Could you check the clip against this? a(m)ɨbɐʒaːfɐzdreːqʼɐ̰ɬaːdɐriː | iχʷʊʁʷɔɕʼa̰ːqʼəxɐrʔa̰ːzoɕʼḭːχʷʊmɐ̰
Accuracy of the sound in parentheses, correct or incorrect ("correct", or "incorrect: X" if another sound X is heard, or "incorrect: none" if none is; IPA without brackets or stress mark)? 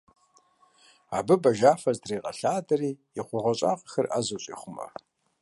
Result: incorrect: b